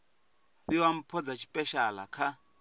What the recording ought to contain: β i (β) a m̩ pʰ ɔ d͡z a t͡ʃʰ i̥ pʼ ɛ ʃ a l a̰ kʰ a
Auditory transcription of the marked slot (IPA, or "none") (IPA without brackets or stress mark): w